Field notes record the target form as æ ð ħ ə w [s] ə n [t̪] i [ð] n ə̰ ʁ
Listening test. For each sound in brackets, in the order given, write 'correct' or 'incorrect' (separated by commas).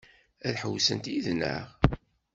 correct, correct, correct